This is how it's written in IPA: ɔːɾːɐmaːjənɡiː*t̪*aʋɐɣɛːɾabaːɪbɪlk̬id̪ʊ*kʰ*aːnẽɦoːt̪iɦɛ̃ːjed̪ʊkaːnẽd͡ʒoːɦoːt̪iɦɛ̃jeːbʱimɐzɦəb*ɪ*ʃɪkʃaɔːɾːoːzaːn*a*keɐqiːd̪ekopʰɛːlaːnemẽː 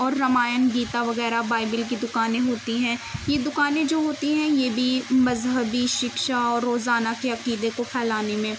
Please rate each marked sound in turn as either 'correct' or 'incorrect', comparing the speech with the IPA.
correct, incorrect: k, incorrect: i, correct

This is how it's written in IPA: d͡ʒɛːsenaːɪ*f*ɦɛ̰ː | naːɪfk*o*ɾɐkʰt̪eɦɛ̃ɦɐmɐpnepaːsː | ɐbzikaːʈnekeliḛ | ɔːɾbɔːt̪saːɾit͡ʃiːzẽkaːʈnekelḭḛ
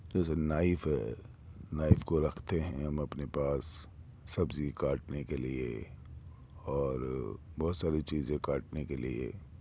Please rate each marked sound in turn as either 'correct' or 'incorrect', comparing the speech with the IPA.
correct, correct

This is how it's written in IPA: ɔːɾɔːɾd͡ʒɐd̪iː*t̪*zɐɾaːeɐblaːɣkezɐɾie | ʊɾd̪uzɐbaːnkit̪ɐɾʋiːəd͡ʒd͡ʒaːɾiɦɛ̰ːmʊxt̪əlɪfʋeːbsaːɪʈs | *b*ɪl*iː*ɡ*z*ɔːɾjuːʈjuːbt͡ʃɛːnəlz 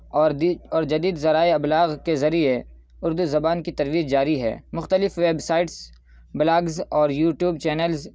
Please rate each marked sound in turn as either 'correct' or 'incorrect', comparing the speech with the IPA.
incorrect: d̪, correct, incorrect: aː, correct

